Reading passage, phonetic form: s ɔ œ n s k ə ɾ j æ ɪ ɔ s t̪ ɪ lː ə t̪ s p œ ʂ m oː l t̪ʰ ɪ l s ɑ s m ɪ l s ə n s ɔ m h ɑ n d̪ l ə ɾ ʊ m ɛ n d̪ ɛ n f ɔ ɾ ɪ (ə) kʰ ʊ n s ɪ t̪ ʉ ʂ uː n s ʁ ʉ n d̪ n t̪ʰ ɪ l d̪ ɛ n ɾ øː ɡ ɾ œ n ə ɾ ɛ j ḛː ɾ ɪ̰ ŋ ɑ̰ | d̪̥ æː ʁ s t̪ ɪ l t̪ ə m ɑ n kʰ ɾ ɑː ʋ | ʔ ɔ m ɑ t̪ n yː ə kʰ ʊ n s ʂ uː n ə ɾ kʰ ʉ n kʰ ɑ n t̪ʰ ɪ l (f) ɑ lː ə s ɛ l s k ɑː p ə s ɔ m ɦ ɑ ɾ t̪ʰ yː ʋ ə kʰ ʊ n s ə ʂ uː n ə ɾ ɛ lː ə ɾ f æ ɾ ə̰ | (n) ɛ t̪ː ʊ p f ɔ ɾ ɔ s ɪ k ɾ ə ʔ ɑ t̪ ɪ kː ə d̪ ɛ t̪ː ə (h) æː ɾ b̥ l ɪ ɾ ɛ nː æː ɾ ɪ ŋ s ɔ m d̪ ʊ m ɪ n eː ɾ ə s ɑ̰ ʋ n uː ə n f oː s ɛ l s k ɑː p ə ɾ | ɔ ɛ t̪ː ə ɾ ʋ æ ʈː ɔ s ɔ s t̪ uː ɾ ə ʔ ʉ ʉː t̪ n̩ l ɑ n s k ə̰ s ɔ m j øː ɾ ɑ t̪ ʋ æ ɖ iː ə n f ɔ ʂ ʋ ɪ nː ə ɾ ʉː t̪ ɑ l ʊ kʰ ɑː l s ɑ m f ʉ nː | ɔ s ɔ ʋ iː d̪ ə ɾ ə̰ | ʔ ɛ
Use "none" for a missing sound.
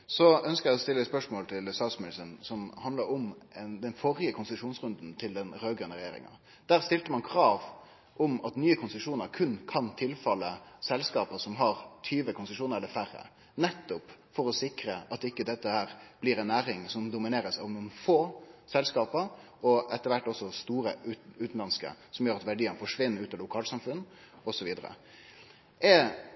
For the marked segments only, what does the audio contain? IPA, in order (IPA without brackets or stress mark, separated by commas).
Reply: ə, f, n, h